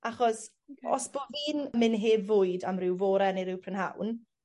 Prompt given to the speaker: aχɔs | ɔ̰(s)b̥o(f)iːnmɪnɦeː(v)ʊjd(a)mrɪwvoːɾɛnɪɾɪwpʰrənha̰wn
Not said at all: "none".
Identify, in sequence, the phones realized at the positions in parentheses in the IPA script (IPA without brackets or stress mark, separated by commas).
s, v, v, a